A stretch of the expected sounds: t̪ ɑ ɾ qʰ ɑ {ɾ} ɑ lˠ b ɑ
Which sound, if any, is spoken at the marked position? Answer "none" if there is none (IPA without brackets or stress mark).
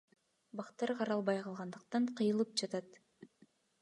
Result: ɾ